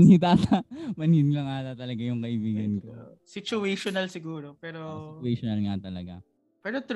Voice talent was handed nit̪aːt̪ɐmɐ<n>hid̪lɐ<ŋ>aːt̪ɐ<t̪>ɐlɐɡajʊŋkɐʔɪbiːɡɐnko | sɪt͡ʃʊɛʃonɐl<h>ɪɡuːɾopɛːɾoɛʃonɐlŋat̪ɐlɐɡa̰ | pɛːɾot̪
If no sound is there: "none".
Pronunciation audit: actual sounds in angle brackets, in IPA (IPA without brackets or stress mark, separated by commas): n, ŋ, t̪, s